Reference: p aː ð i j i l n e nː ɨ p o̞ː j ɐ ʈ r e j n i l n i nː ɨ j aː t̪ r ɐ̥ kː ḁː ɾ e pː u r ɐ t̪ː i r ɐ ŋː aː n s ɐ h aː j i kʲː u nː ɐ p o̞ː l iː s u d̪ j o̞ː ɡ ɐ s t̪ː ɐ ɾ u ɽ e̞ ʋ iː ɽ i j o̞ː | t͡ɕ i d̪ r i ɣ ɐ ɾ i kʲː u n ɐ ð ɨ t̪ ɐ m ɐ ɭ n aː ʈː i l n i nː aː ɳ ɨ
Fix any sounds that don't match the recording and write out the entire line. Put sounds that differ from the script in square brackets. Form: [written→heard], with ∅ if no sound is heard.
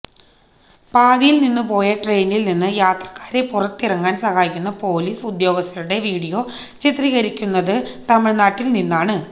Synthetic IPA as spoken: p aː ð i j i l n [e→i] nː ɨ p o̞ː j ɐ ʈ r e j n i l n i nː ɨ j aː t̪ r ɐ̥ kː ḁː ɾ e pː u r ɐ t̪ː i r ɐ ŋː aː n s ɐ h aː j i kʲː u nː ɐ p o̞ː l iː s u d̪ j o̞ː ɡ ɐ s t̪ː ɐ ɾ u ɽ e̞ ʋ iː ɽ i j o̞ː | t͡ɕ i [d̪→t̪] r i ɣ ɐ ɾ i kʲː u [n→nː] ɐ ð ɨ t̪ ɐ m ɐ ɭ n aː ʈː i l n i nː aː ɳ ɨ